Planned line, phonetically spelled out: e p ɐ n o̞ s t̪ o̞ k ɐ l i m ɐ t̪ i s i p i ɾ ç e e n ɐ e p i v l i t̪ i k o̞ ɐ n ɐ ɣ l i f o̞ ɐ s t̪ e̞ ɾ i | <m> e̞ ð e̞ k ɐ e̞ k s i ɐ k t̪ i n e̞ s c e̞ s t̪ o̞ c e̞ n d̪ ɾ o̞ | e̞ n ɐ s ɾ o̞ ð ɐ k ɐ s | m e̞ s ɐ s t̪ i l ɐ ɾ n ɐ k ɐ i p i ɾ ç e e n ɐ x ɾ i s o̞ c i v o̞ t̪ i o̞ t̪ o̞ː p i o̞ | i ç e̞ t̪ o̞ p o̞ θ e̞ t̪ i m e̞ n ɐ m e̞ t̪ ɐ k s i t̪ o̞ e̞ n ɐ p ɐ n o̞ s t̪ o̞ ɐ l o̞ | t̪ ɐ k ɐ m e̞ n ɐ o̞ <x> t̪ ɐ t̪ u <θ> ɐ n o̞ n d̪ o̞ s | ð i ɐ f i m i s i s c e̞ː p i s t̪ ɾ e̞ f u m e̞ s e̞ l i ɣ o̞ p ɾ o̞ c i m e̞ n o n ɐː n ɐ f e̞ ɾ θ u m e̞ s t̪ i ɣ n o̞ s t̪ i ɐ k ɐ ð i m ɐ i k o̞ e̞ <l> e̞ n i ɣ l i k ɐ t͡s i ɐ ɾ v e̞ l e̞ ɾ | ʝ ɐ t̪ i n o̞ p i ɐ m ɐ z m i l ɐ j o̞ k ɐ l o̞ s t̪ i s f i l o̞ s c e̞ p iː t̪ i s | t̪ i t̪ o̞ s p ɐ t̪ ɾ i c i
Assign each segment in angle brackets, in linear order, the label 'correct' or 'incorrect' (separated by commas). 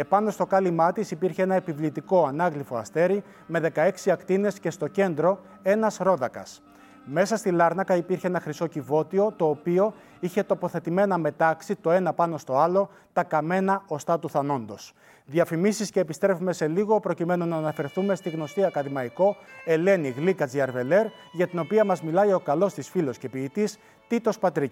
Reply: correct, incorrect, correct, correct